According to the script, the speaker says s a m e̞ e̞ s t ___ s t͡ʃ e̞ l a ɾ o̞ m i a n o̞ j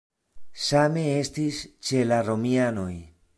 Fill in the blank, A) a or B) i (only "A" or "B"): B